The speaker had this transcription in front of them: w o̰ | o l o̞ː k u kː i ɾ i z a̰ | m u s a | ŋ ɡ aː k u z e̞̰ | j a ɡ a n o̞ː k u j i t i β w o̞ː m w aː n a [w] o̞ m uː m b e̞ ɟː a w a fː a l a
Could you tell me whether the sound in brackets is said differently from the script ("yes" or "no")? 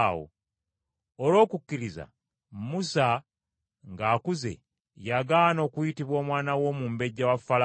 no